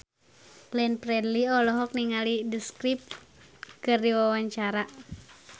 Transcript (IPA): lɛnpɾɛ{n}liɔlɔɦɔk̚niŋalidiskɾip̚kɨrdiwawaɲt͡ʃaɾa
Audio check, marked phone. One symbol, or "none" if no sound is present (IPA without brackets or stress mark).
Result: d